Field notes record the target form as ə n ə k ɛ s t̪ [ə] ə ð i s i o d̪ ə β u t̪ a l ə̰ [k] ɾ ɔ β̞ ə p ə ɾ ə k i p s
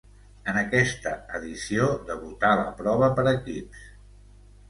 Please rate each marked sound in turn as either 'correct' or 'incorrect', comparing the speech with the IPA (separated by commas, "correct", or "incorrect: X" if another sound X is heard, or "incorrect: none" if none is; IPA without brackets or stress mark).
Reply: correct, incorrect: p